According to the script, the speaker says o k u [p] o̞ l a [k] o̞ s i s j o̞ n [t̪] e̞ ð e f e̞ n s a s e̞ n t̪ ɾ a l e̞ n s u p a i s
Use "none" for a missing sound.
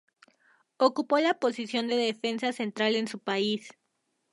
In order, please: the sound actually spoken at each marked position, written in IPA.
p, p, d̪

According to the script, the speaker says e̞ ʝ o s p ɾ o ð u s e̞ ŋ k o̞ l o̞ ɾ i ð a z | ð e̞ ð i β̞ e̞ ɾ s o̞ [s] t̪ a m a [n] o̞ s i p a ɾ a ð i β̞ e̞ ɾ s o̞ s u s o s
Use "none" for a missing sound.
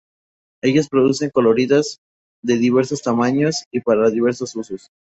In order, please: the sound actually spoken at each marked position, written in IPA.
s, ɲ

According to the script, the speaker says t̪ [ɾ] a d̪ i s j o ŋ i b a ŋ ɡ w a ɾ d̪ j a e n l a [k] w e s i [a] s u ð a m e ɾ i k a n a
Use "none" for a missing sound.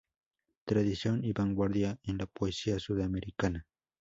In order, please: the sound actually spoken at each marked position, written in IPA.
ɾ, p, a

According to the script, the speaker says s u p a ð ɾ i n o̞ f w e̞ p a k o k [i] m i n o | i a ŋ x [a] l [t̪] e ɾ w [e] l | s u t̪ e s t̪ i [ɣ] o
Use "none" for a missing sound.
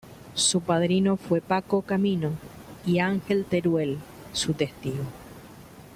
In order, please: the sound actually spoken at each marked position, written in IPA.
a, e, t̪, e, ɣ

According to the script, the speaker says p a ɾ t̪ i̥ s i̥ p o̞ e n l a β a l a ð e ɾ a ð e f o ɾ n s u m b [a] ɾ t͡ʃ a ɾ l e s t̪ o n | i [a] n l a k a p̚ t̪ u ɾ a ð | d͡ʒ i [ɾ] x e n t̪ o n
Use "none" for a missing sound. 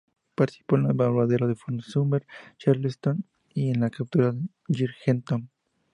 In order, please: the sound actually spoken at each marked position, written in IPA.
e, e, ɾ

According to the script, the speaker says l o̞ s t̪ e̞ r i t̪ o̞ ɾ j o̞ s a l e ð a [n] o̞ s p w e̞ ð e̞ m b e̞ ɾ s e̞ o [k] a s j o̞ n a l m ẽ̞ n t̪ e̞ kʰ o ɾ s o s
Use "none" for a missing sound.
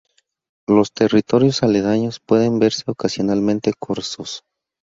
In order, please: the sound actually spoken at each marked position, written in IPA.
ɲ, k

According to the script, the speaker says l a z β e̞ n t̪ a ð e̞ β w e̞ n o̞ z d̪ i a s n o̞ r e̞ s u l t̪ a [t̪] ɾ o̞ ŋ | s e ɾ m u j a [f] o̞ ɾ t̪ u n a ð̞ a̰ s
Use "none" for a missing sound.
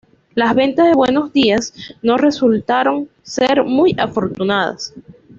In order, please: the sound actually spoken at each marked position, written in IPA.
none, f

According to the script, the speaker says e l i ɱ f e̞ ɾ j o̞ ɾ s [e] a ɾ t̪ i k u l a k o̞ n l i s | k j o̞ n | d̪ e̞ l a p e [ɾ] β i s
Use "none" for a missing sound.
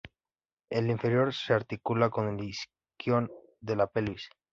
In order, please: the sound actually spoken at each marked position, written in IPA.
e, l

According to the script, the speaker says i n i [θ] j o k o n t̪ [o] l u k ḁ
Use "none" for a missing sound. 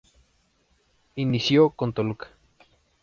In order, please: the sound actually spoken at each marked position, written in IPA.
s, o

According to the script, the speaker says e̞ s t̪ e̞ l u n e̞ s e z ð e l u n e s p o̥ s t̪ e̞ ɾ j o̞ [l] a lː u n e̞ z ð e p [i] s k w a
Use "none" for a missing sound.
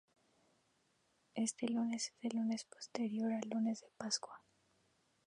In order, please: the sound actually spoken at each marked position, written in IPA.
ɾ, a

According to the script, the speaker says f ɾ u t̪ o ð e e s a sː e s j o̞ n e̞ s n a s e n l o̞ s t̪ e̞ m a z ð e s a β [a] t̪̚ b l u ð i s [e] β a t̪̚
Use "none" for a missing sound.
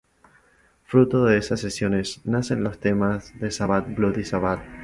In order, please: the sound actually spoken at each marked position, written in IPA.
a, a

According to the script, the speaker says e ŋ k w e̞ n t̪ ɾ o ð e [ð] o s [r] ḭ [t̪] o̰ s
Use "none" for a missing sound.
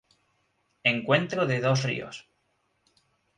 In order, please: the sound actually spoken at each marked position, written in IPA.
ð, r, none

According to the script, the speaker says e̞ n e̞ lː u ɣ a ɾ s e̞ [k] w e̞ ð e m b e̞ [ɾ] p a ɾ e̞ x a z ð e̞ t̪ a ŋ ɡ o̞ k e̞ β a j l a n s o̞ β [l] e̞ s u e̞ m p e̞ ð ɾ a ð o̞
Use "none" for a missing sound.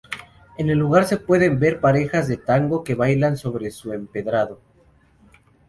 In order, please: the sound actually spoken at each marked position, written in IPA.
p, ɾ, ɾ

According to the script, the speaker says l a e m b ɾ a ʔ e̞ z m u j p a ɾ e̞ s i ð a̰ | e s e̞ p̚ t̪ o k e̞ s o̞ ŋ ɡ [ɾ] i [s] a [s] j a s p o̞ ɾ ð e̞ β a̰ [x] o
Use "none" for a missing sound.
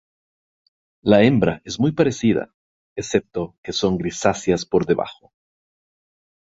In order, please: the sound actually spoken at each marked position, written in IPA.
ɾ, s, s, x

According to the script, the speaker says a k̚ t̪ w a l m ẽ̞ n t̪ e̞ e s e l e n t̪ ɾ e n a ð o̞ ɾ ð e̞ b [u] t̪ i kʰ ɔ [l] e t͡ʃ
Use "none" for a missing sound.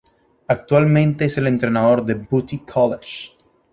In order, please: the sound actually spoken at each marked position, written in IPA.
u, l

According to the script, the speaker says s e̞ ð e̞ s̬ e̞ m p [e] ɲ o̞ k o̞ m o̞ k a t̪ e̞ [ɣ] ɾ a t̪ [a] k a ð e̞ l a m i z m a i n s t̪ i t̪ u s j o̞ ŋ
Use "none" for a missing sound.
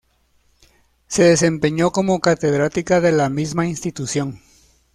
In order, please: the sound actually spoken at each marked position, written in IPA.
e, ð, i

